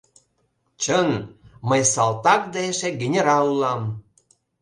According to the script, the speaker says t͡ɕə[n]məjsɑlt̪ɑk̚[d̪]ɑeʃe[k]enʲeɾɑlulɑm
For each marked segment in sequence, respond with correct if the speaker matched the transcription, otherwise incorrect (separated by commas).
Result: correct, correct, incorrect